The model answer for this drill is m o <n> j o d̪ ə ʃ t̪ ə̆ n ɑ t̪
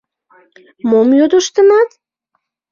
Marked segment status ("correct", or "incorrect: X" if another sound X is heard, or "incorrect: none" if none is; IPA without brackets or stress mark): incorrect: m